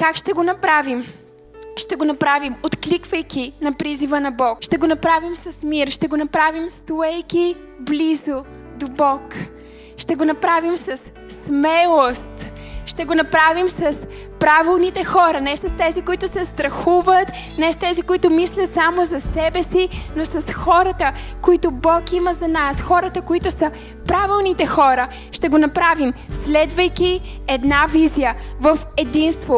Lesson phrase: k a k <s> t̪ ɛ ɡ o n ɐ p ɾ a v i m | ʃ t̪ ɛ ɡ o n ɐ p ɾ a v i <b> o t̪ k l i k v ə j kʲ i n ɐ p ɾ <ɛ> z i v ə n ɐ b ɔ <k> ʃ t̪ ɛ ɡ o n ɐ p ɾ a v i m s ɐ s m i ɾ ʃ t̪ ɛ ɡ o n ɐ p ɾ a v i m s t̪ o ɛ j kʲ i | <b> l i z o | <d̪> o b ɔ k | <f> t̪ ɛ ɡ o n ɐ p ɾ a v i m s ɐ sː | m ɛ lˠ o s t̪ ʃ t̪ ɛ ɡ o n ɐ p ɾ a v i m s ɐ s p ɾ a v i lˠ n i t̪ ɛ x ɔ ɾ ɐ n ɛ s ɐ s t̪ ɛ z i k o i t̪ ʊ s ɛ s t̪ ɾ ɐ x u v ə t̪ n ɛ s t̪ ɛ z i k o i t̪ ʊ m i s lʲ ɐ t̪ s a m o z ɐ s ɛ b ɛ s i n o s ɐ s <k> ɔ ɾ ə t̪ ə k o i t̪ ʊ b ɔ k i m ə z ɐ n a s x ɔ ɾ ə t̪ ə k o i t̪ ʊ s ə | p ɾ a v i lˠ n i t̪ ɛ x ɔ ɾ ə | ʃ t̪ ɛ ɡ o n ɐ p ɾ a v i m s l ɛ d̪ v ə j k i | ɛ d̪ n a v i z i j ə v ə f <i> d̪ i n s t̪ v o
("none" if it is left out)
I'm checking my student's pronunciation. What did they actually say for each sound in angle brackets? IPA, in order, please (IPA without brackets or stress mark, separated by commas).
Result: ʃ, m, i, k, b, d̪, ʃ, x, ɛ